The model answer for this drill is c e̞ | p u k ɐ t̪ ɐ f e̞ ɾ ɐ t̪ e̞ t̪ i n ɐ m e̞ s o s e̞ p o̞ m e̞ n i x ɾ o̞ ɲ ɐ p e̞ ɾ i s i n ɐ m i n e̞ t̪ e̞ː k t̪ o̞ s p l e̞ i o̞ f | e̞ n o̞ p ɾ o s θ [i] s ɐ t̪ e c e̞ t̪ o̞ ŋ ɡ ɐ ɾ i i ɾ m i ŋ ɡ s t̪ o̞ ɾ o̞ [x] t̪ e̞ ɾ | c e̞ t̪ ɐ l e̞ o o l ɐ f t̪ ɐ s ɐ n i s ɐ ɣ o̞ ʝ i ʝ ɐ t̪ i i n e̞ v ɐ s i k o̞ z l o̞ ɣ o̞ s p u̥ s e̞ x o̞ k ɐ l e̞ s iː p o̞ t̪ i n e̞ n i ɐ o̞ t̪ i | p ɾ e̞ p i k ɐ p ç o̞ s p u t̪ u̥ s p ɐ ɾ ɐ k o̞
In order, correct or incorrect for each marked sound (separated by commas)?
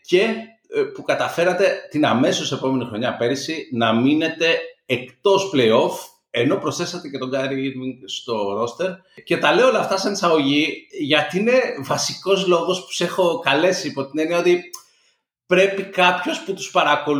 incorrect, incorrect